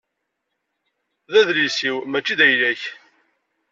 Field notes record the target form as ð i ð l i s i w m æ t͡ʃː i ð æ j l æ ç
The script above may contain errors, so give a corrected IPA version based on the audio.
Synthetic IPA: ð æ ð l i s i w m æ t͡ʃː i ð æ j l æ ç